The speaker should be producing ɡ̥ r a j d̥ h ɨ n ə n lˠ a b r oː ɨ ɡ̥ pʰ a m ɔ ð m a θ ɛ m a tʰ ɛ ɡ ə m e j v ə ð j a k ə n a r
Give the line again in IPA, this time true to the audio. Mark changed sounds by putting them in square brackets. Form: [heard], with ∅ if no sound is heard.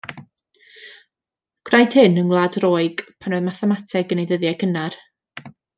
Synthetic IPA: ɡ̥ r a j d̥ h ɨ n ə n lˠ a [d] r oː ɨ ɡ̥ pʰ a [n] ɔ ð m a θ ɛ m a tʰ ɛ ɡ ə [n] e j [ð] ə ð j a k ə n a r